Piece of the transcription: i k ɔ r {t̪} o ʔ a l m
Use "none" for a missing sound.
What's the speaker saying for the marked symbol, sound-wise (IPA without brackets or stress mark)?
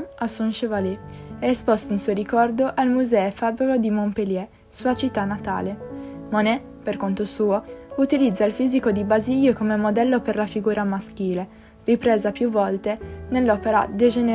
d̪